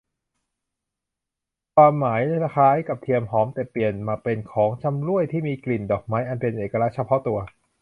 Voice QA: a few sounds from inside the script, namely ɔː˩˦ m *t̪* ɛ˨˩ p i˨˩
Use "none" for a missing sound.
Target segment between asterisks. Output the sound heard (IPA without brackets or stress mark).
t̪